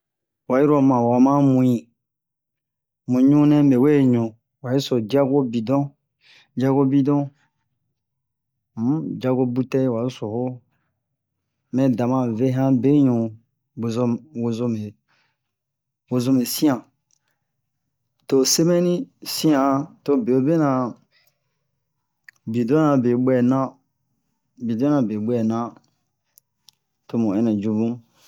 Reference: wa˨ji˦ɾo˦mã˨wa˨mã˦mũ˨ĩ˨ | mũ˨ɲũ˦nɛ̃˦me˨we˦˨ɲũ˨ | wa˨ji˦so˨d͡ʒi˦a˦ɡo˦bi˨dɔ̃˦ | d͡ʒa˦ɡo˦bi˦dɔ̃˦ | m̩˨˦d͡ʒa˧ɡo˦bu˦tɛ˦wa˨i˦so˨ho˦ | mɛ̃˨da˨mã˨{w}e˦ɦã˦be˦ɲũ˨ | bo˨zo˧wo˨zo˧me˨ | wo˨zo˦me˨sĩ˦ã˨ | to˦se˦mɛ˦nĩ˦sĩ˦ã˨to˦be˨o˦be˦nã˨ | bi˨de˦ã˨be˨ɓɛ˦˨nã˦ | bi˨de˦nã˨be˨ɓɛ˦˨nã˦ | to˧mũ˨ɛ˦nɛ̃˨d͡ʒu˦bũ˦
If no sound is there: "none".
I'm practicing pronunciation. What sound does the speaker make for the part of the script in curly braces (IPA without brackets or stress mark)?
v